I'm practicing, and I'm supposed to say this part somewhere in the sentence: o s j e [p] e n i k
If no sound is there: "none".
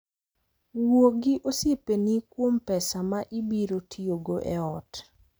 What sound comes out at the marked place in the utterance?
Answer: p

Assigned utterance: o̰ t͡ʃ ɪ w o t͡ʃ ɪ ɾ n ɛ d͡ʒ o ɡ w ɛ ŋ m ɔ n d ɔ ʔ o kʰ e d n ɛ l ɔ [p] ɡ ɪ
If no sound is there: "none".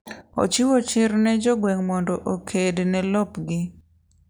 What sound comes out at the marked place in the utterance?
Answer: p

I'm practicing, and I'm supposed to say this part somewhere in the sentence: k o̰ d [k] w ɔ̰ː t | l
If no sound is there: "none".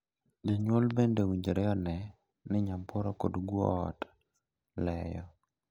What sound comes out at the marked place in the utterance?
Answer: ɡ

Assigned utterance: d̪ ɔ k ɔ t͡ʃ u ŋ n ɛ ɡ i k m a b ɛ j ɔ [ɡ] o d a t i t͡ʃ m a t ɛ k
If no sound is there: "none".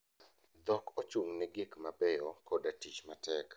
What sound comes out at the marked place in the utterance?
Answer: k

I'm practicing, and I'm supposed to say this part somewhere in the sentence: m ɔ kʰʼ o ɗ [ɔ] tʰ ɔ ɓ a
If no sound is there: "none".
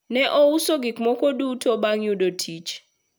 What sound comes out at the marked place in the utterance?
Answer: u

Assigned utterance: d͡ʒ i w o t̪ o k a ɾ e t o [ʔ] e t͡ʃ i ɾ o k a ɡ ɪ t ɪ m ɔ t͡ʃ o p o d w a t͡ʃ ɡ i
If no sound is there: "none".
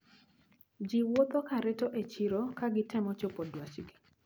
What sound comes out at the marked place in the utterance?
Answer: ʔ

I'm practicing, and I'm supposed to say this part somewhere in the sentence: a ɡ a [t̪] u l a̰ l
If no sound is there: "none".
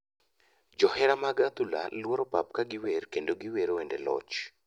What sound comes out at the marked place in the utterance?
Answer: t̪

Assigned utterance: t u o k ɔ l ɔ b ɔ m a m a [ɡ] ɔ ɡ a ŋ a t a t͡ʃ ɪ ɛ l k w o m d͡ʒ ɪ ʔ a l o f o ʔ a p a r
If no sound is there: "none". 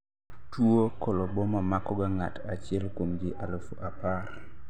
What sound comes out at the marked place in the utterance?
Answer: k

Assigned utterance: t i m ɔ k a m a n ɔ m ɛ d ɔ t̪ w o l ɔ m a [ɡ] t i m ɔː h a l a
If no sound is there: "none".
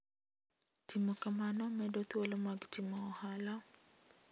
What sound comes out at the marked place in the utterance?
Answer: ɡ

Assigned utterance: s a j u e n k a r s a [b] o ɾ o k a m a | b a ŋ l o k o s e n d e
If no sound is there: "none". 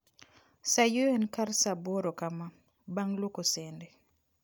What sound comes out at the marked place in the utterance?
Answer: b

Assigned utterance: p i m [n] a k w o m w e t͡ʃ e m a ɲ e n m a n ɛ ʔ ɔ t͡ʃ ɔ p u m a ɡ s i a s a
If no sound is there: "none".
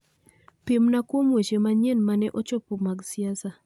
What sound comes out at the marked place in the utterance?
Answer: n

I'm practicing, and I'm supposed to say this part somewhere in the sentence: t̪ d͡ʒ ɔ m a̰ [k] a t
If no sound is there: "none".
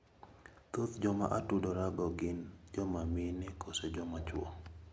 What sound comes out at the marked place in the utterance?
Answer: ʔ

